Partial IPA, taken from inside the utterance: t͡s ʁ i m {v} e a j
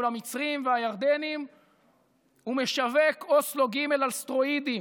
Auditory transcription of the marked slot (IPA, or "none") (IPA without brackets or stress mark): v